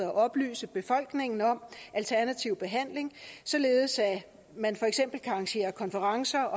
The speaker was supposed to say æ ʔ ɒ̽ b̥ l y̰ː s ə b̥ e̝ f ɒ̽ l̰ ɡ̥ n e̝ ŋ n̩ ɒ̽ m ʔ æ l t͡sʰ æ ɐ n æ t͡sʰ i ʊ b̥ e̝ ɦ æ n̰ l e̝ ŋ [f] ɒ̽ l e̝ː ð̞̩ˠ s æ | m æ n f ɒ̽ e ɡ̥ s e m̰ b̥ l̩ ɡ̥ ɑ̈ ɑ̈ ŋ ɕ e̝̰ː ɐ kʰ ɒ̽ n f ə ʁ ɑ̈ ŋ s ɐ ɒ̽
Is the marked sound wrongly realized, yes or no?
yes